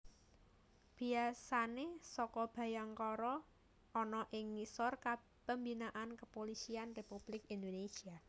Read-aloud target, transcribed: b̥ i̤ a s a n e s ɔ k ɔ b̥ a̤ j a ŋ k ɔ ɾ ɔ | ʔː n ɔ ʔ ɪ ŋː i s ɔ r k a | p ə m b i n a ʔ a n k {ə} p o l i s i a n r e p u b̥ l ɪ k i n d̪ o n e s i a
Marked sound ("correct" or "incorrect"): correct